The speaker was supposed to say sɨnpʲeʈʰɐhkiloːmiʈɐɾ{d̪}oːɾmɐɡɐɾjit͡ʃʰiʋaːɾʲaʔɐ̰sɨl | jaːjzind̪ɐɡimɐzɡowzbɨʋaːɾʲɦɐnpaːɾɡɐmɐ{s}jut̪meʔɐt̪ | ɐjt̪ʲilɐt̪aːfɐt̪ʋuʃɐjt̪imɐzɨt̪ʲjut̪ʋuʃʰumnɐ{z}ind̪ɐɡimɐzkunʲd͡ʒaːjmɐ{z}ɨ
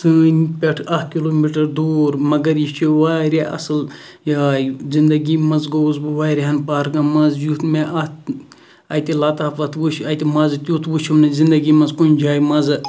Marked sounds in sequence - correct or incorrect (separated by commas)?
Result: correct, incorrect, correct, correct